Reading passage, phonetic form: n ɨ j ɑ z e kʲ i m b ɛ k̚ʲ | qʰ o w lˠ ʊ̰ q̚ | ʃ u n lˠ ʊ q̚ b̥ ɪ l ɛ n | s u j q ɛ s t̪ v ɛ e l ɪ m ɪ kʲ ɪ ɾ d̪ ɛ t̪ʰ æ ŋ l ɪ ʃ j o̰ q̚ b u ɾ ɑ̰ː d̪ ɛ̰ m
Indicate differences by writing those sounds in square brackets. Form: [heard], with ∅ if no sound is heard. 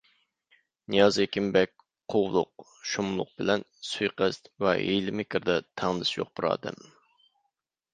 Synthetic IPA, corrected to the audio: n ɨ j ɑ z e kʲ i m b ɛ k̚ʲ | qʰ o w lˠ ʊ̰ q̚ | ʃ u [m] lˠ ʊ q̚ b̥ ɪ l ɛ n | s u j q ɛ s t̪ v ɛ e l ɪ m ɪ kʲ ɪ ɾ d̪ ɛ t̪ʰ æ ŋ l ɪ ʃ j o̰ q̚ b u ɾ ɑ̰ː d̪ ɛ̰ m